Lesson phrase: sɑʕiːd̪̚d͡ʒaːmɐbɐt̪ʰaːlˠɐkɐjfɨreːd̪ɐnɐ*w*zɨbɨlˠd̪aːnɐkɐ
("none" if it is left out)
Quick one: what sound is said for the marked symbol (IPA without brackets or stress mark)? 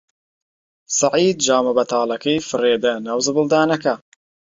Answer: w